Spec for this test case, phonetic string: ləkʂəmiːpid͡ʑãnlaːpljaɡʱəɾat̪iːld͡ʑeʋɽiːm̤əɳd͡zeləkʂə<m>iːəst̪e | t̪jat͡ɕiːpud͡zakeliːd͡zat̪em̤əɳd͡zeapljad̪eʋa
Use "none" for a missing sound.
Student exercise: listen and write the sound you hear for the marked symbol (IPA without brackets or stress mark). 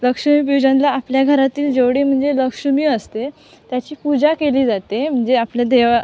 m